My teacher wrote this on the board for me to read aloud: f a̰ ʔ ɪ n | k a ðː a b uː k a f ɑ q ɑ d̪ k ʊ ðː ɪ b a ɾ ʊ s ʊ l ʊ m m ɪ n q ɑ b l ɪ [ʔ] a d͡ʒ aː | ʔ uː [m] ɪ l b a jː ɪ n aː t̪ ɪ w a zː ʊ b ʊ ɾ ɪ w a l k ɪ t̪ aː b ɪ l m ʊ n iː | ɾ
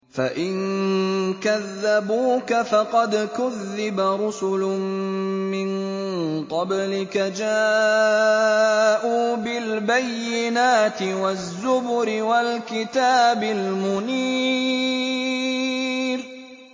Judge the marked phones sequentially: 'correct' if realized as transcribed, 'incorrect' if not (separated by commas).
incorrect, incorrect